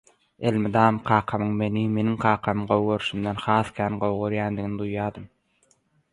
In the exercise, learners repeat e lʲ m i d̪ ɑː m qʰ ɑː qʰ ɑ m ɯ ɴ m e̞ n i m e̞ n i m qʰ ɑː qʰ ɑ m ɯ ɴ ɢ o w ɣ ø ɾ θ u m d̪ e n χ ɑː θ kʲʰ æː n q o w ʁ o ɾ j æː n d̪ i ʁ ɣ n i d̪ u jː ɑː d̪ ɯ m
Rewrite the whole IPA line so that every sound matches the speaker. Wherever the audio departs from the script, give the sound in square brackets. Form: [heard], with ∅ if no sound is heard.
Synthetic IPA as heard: e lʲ m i d̪ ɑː m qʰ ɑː qʰ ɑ m ɯ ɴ m e̞ n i m e̞ n i [ŋ] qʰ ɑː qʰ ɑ m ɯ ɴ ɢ o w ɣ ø ɾ [ʃ] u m d̪ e n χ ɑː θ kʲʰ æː n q o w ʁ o ɾ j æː n d̪ i [∅] ɣ n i d̪ u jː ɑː d̪ ɯ m